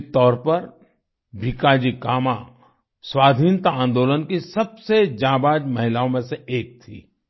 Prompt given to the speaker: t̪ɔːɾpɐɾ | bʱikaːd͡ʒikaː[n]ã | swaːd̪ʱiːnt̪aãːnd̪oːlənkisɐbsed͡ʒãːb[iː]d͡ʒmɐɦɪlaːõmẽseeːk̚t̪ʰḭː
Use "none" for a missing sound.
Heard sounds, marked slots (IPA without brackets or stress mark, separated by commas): m, aː